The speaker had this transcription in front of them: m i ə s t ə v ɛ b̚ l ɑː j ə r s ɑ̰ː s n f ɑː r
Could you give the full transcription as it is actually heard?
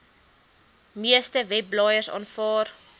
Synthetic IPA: m i ə s t ə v ɛ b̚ l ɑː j ə r s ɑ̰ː n f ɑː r